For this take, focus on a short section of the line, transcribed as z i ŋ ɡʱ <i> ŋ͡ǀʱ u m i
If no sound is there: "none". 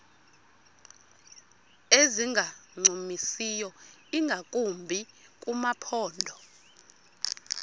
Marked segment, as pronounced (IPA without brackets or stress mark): a